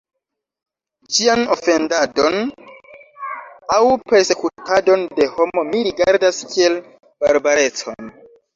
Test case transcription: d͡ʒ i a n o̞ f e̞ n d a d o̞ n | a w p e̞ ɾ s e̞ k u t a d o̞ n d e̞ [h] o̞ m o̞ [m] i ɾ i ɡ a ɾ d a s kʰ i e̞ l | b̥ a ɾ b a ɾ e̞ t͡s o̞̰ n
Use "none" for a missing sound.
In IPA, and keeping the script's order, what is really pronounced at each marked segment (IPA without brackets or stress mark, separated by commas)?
h, m